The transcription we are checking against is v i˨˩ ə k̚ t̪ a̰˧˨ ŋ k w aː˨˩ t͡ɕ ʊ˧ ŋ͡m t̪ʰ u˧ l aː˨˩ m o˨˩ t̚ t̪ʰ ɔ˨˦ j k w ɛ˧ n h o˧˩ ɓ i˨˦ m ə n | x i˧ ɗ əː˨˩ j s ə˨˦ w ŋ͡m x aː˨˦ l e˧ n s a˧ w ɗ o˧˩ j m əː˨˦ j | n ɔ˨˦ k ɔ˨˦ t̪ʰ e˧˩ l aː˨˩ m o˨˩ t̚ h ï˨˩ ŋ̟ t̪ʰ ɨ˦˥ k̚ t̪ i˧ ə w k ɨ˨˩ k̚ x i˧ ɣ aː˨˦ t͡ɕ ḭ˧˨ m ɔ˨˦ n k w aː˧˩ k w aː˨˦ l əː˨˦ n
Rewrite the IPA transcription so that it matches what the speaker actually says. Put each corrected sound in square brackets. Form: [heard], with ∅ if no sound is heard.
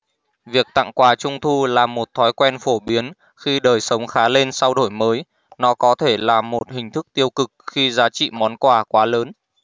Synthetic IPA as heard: v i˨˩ ə k̚ t̪ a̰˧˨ ŋ k w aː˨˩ t͡ɕ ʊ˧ ŋ͡m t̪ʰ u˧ l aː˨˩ m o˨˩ t̚ t̪ʰ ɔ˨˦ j k w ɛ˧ n [f] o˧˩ ɓ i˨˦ [∅] ə n | x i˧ ɗ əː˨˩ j s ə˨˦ w ŋ͡m x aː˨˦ l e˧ n s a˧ w ɗ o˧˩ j m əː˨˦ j | n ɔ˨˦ k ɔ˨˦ t̪ʰ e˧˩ l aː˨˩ m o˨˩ t̚ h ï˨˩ ŋ̟ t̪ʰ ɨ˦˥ k̚ t̪ i˧ ə w k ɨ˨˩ k̚ x i˧ [z] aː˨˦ t͡ɕ ḭ˧˨ m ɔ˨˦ n k w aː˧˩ k w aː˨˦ l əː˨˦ n